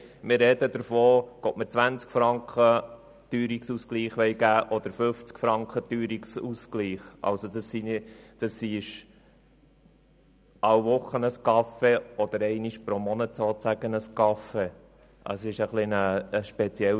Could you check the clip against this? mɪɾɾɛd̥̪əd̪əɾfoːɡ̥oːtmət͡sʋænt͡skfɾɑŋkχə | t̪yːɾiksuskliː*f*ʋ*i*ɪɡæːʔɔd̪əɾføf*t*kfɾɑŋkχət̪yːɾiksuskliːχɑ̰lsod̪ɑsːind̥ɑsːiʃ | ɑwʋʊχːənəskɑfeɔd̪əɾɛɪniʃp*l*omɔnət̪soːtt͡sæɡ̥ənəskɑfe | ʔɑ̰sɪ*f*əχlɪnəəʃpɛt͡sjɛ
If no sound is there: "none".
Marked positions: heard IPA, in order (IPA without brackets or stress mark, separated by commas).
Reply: χ, ɛ, t͡s, ɾ, ʃ